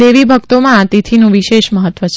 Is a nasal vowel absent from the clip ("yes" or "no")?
no